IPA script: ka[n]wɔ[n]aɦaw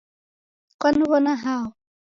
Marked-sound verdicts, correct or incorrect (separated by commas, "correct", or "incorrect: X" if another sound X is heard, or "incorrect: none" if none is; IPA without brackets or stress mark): correct, correct